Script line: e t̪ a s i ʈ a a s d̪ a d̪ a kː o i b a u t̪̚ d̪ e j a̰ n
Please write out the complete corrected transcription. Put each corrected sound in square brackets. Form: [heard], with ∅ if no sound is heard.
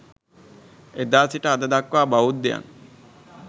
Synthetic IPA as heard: e [d̪] a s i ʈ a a [∅] d̪ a d̪ a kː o [a] b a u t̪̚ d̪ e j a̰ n